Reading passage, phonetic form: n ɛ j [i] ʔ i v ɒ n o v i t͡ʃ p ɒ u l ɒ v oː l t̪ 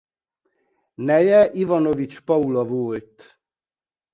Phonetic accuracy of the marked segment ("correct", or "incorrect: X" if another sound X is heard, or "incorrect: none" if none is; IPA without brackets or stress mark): incorrect: ɛ